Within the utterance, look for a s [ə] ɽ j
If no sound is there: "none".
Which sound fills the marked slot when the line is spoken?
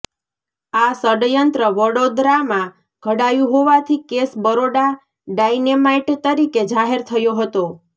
ə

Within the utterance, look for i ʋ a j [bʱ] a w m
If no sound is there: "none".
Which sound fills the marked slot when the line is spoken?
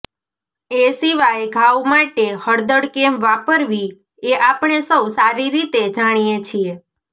ɡʱ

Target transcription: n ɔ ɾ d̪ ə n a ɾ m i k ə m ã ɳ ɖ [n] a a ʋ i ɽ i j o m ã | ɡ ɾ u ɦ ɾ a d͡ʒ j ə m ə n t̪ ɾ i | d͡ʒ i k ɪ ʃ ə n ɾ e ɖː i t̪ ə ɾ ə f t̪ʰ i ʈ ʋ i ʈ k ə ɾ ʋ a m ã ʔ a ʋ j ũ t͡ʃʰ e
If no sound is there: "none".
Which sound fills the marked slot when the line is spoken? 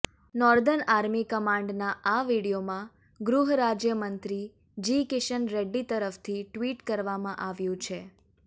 n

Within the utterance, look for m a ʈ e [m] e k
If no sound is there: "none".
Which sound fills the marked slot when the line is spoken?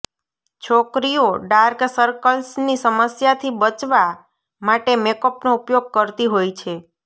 m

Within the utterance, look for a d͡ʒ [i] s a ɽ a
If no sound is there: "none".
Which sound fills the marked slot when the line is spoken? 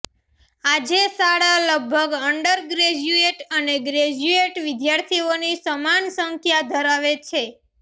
e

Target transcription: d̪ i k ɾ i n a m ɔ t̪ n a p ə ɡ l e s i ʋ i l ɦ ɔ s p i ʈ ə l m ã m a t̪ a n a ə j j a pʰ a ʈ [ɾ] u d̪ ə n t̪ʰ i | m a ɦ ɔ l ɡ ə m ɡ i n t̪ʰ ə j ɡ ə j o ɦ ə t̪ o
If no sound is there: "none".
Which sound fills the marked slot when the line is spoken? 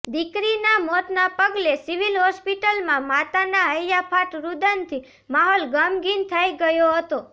ɾ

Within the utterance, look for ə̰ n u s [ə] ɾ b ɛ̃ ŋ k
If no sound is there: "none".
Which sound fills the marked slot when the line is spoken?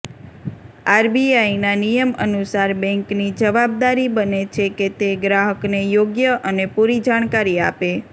a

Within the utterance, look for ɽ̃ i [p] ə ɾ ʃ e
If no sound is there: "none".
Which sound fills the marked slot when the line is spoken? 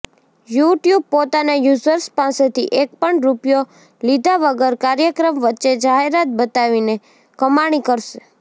k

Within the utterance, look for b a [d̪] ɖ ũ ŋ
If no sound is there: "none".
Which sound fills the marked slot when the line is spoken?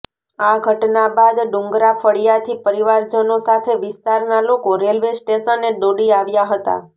d̪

